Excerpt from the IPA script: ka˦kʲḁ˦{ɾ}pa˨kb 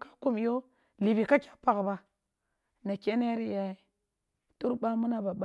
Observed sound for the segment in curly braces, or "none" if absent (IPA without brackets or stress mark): none